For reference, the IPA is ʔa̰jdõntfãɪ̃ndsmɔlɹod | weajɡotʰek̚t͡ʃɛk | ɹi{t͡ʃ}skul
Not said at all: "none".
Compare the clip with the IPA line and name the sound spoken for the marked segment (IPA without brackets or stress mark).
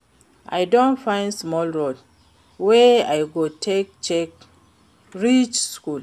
t͡ʃ